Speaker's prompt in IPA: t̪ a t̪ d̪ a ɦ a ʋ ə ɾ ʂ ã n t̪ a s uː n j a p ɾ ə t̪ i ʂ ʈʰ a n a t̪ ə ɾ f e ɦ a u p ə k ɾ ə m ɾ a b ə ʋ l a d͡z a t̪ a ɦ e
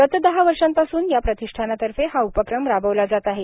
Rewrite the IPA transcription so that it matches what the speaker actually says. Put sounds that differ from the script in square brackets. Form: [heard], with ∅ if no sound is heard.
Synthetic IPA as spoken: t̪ [ə] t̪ d̪ [ə] ɦ a ʋ ə ɾ ʂ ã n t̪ a s uː n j a p ɾ ə t̪ i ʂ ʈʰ a n a t̪ ə ɾ f e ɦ a u p ə k ɾ ə m ɾ a b ə ʋ l a d͡z a t̪ a ɦ e